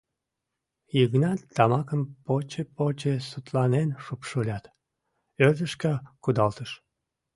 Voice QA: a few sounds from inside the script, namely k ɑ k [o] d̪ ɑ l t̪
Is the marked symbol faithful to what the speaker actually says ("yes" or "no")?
no